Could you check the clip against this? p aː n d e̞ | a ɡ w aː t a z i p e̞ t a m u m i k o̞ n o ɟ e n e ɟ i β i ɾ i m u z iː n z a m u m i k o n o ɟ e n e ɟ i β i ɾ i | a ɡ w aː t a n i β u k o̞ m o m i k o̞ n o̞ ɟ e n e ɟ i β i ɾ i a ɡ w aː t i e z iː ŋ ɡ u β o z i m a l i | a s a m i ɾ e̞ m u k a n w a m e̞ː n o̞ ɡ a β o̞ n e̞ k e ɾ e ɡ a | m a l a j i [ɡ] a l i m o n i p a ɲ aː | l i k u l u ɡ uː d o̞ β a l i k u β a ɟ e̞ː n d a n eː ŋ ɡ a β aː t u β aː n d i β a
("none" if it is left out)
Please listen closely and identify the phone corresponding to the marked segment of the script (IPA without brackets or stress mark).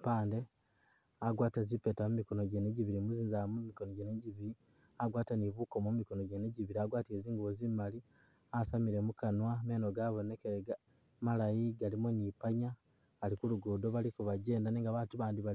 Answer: ɡ